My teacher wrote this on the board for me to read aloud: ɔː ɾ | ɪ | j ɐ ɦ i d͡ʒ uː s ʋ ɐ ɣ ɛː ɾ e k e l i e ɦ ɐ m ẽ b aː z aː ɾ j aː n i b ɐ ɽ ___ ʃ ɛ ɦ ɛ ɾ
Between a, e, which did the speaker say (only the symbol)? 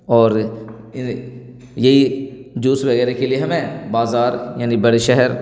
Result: e